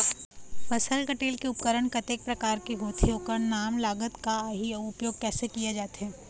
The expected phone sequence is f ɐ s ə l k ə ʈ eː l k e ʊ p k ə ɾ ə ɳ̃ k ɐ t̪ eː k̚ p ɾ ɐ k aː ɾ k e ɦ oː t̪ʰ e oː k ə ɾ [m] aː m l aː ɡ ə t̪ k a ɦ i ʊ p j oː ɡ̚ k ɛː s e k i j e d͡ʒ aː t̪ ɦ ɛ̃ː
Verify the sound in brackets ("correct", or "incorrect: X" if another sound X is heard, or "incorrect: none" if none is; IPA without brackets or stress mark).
incorrect: n